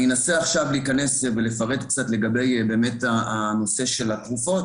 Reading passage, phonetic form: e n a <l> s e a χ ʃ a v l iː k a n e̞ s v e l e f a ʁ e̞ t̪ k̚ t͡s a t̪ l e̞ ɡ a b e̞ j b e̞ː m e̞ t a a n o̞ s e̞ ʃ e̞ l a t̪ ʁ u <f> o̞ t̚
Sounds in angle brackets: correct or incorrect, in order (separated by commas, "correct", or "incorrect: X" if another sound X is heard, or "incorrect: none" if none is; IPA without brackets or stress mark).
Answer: incorrect: none, correct